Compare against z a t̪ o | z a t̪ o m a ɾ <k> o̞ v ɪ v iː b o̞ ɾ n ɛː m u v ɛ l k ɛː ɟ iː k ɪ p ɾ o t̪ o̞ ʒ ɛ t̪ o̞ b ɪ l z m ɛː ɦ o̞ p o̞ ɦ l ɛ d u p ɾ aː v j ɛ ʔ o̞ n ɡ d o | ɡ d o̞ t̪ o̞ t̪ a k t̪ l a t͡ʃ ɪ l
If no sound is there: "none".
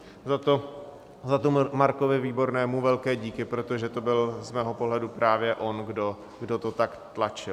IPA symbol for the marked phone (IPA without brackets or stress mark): k